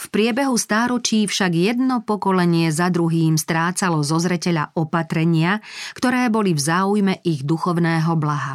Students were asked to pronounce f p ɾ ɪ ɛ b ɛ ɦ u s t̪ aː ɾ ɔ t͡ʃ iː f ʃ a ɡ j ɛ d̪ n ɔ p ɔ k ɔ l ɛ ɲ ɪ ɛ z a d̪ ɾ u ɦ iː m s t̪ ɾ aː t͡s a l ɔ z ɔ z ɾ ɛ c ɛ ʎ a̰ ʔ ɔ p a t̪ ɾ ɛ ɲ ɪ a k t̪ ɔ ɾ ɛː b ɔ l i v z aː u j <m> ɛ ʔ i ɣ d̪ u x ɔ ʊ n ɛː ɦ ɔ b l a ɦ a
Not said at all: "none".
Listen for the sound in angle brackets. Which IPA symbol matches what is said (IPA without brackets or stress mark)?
m